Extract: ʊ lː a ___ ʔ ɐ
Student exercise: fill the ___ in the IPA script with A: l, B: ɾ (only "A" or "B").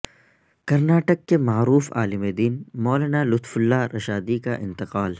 B